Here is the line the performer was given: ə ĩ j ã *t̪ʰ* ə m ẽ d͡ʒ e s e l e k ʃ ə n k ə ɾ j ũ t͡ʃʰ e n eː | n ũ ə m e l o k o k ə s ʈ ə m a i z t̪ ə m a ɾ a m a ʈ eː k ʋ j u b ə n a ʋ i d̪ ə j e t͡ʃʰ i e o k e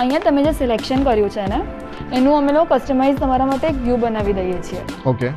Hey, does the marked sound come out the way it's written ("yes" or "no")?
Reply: no